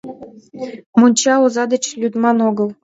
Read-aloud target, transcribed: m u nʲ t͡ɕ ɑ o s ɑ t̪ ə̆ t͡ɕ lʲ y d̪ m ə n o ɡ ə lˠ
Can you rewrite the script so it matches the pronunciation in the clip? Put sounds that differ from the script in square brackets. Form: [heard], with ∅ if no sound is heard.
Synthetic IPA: m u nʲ t͡ɕ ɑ o [z] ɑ [d̪] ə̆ t͡ɕ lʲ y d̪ m [ɑ] n o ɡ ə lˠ